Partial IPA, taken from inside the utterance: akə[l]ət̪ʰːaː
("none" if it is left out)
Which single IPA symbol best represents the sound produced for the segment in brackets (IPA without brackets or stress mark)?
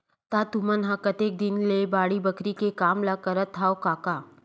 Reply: ɾ